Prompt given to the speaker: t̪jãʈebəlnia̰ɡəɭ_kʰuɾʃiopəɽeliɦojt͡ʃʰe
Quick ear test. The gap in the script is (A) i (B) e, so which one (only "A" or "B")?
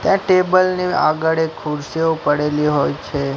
B